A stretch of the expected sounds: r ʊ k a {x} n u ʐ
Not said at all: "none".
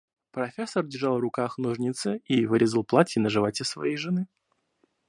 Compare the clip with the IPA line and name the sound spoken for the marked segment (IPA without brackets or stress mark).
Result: x